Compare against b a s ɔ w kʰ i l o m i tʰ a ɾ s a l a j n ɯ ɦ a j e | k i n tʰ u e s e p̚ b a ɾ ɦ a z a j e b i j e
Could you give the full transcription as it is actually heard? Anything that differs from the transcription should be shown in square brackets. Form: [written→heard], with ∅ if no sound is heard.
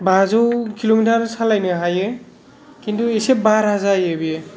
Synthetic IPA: b a [s→z] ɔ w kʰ i l o m i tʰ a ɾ s a l a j n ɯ ɦ a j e | k i n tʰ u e s e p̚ b a ɾ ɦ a z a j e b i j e